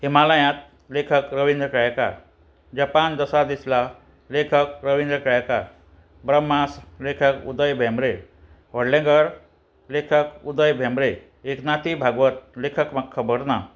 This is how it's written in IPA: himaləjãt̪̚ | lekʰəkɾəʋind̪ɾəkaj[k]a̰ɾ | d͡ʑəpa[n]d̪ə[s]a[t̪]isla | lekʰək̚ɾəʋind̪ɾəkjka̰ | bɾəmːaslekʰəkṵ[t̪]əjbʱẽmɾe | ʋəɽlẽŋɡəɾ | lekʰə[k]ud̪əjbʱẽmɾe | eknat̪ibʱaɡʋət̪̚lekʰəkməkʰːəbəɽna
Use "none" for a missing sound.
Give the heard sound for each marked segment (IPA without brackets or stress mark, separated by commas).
k, n, s, d̪, d̪, k